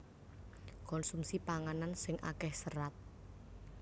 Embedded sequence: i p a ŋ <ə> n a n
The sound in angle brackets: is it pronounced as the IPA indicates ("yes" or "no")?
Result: no